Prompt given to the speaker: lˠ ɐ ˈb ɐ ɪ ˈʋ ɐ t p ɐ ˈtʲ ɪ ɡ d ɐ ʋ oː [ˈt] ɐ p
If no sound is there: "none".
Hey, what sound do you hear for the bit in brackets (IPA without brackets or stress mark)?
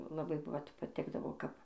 k